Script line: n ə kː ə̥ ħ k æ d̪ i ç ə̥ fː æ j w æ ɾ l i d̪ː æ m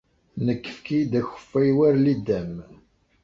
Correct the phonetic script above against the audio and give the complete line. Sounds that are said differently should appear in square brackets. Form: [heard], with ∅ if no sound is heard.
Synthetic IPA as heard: n ə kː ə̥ [f] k [i] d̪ [æ] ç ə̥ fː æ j w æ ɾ l i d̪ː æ m